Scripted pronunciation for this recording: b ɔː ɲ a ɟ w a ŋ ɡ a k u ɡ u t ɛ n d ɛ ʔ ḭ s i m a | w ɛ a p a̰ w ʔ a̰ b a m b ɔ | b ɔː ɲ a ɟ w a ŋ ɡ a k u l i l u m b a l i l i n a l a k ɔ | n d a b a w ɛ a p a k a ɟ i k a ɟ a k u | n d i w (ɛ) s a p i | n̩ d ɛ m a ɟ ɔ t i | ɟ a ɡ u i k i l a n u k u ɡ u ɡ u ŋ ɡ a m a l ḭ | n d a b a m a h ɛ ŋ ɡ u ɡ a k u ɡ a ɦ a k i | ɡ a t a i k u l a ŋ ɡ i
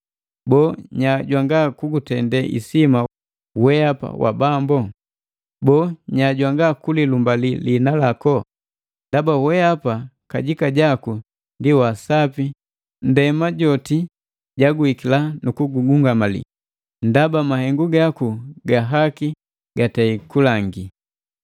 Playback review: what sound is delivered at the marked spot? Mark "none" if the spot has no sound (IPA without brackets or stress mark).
a